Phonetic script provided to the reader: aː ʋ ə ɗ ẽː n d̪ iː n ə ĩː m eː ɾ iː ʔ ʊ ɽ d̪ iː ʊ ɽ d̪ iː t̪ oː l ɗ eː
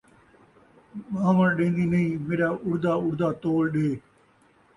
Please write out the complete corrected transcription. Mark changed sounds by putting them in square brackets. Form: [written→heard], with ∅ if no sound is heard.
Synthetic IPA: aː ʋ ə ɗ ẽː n d̪ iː n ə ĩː m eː ɾ [iː→aː] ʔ ʊ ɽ d̪ [iː→aː] ʊ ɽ d̪ [iː→aː] t̪ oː l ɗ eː